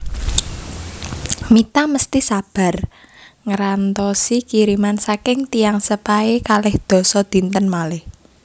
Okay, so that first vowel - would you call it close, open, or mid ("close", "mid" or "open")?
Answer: close